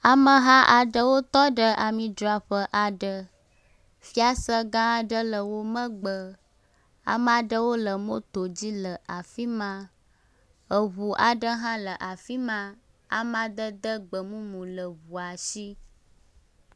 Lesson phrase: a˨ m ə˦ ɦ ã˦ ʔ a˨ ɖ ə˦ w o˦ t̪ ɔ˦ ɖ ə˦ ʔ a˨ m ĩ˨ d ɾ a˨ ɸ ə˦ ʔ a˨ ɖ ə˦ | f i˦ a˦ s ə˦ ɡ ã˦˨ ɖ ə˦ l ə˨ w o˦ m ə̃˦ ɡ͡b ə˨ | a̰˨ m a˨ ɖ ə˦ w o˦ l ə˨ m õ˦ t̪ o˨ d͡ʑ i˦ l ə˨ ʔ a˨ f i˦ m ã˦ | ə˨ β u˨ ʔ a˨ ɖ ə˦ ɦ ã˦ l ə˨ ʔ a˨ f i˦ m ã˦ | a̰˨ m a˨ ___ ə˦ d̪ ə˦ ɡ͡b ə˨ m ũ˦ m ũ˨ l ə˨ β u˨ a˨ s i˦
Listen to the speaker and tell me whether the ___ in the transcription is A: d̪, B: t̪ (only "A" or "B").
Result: A